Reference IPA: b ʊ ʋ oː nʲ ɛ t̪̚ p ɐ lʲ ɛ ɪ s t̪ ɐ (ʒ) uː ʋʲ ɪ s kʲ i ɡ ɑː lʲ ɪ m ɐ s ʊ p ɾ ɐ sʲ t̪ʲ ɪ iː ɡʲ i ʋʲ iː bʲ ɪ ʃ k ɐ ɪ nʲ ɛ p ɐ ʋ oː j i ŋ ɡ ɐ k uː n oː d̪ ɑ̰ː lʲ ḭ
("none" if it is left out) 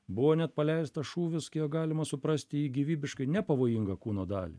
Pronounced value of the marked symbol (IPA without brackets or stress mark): ʃ